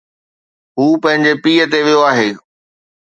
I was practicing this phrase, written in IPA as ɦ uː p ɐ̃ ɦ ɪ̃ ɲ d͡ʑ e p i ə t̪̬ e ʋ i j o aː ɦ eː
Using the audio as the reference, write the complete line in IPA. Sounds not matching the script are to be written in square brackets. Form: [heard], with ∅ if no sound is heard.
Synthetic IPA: ɦ uː p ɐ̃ ɦ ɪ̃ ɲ d͡ʑ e p [iː] ə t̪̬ e ʋ i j o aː ɦ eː